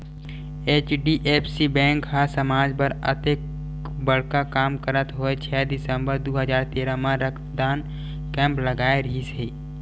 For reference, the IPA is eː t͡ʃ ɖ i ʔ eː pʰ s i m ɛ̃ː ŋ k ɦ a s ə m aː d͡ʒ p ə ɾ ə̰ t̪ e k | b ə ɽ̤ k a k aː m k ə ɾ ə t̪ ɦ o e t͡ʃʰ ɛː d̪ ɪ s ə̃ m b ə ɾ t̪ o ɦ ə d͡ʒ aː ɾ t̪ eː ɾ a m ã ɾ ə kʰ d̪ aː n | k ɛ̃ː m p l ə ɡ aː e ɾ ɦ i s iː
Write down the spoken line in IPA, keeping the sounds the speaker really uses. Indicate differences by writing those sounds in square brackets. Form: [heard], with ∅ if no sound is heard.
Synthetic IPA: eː t͡ʃ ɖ i ʔ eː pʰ s i [b] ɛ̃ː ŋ k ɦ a s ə m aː d͡ʒ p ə ɾ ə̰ t̪ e k | b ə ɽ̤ k a k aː m k ə ɾ ə t̪ ɦ o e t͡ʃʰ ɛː d̪ ɪ s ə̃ m b ə ɾ [d̪] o ɦ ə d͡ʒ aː ɾ t̪ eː ɾ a m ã ɾ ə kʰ d̪ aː n | k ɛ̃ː m p l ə ɡ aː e ɾ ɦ i s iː

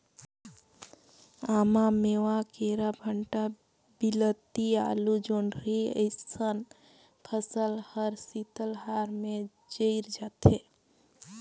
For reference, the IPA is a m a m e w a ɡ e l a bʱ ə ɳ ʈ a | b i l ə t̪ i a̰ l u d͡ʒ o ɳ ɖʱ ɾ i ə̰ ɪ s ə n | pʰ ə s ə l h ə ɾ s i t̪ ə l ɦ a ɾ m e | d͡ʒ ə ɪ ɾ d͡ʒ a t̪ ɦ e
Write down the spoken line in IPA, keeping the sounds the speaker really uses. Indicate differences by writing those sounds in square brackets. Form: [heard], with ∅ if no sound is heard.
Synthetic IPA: a m a m e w a [k] e [ɾ] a bʱ ə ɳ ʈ a | b i l ə t̪ i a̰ l u d͡ʒ o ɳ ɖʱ ɾ i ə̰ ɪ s ə n | pʰ ə s ə l h ə ɾ s i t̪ ə l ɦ a ɾ m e | d͡ʒ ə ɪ ɾ d͡ʒ a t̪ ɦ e

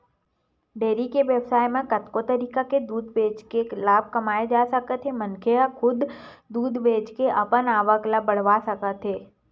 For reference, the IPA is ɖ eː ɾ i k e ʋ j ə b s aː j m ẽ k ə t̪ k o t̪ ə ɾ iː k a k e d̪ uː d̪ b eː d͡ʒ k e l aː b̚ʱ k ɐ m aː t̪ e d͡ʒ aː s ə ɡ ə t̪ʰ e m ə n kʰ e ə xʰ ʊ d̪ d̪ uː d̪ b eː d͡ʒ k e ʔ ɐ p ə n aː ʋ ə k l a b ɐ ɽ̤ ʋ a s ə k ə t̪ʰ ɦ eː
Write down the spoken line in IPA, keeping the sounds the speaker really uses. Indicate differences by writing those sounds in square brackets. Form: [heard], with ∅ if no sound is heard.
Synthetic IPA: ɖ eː ɾ i k e ʋ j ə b s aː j m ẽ k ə t̪ k o t̪ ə ɾ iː k a k e d̪ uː d̪ b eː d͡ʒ k e l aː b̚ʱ k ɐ m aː [∅] e d͡ʒ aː s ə [k] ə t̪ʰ e m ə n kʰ e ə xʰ ʊ d̪ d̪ uː d̪ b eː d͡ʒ k e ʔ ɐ p ə n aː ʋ ə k l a b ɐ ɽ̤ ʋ a s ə k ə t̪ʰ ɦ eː

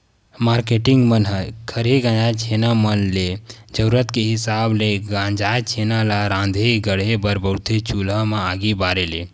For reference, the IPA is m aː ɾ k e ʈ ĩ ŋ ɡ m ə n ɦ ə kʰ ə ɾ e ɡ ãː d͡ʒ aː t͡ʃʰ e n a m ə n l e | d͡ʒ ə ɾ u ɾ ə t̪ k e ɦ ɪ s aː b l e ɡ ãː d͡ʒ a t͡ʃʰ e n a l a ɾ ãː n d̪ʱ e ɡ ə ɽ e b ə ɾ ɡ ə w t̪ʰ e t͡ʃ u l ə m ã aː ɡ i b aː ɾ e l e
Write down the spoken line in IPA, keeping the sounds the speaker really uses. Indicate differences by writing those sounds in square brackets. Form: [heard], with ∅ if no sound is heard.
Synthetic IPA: m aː ɾ k e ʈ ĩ ŋ ɡ m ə n ɦ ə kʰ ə ɾ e ɡ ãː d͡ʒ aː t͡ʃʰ e n a m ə n l e | d͡ʒ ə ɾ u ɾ ə t̪ k e ɦ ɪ s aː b l e ɡ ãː d͡ʒ a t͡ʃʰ e n a l a ɾ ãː n d̪ʱ e ɡ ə ɽ e b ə ɾ [b] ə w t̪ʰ e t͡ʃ u l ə m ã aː ɡ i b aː ɾ e l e

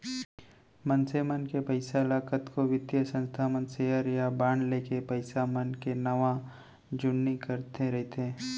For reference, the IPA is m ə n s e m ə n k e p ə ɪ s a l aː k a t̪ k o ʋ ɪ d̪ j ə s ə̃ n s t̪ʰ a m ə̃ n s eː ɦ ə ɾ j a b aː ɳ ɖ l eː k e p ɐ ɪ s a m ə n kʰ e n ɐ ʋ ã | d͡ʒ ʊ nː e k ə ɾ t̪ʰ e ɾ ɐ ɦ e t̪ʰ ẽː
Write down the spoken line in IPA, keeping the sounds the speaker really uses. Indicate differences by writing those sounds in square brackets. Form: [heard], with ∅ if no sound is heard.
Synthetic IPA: m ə n s e m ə n k e p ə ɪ s a l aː k [ə] t̪ k o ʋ ɪ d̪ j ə s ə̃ n s t̪ʰ a m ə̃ n s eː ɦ ə ɾ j a b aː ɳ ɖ l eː k e p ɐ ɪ s a m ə n [k] e n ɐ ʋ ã | d͡ʒ ʊ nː [i] k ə ɾ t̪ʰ e ɾ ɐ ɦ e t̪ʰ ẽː

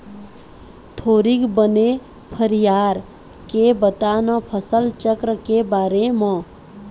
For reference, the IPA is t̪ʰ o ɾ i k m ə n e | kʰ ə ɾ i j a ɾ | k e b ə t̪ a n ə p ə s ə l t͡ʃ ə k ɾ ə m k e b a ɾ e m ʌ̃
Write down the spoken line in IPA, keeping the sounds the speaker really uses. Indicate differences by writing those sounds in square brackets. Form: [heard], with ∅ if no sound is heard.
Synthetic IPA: t̪ʰ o ɾ i k [b] ə n e | [pʰ] ə ɾ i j a ɾ | k e b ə t̪ a n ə [pʰ] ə s ə l t͡ʃ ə k ɾ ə [∅] k e b a ɾ e m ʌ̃

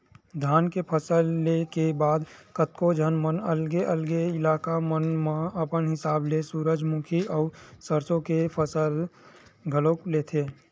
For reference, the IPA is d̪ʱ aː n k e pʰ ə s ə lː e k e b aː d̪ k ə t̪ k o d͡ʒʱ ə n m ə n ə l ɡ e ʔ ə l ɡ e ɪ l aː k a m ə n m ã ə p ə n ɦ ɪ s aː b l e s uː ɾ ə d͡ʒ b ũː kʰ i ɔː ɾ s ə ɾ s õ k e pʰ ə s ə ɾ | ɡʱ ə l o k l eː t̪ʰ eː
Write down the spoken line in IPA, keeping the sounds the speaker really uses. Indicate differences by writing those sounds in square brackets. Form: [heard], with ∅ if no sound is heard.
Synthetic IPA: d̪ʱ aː n k e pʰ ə s ə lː e k e b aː d̪ k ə t̪ k o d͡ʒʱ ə n m ə n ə l ɡ e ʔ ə l ɡ e ɪ l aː k a m ə n m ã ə p ə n ɦ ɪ s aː b l e s uː ɾ ə d͡ʒ [m] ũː kʰ i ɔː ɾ s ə ɾ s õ k e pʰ ə s ə [l] | ɡʱ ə l o k l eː t̪ʰ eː

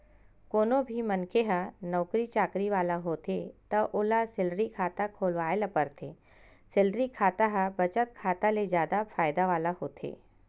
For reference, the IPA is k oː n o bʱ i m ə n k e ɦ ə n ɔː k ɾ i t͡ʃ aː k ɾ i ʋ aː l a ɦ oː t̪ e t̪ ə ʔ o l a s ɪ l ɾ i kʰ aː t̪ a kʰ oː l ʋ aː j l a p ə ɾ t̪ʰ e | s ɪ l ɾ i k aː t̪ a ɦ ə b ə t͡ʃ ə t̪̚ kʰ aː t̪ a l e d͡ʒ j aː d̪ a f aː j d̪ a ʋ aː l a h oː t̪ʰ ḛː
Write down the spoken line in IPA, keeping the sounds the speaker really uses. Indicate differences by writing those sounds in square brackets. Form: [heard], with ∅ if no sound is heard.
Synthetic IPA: k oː n o bʱ i m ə n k e ɦ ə n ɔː k ɾ i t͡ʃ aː k ɾ i ʋ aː l a ɦ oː t̪ e t̪ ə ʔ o l a s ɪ l ɾ i kʰ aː t̪ a kʰ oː l ʋ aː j l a p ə ɾ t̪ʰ e | s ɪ l ɾ i [kʰ] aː t̪ a ɦ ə b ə t͡ʃ ə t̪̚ kʰ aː t̪ a l e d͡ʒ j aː d̪ a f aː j d̪ a ʋ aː l a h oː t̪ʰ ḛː

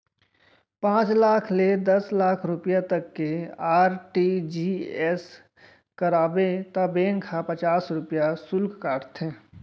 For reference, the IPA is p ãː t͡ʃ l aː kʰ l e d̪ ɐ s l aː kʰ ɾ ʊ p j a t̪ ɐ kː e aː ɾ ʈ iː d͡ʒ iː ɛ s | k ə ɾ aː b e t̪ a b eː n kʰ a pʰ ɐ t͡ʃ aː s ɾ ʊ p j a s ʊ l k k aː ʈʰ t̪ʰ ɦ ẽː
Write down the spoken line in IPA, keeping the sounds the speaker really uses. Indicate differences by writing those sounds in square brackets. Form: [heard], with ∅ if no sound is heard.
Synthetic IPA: p ãː t͡ʃ l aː kʰ l e d̪ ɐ s l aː kʰ ɾ ʊ p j a t̪ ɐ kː e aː ɾ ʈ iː d͡ʒ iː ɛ s | k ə ɾ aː b e t̪ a b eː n kʰ a [p] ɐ t͡ʃ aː s ɾ ʊ p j a s ʊ l k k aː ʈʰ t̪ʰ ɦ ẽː

